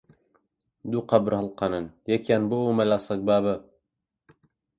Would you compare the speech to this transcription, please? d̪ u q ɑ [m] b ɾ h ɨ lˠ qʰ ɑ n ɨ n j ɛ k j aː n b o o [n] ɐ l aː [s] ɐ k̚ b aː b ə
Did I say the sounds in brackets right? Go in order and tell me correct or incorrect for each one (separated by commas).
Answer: incorrect, incorrect, correct